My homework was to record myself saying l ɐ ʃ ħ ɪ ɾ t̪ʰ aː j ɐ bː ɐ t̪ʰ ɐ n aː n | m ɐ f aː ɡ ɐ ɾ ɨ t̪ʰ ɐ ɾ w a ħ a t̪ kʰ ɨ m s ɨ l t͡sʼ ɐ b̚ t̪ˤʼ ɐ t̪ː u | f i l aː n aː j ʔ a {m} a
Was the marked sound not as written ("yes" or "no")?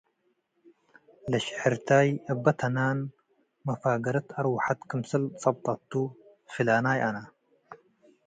yes